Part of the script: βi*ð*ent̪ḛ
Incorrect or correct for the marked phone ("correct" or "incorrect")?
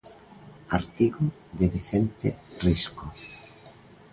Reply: incorrect